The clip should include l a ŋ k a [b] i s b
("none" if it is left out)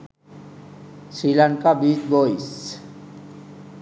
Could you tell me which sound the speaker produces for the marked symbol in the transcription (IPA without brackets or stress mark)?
b